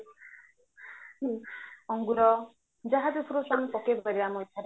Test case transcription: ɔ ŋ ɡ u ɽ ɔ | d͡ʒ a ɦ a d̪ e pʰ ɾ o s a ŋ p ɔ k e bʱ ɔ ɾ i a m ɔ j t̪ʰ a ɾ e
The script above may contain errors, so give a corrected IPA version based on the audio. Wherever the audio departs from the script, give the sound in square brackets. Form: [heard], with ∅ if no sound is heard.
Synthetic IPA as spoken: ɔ ŋ ɡ u [ɾ] ɔ | d͡ʒ a ɦ a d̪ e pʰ ɾ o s a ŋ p ɔ k e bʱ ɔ ɾ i a m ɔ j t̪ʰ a ɾ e